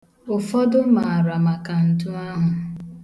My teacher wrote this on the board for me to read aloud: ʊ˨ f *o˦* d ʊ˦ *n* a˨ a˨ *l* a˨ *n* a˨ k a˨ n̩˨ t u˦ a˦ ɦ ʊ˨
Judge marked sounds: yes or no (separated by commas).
no, no, no, no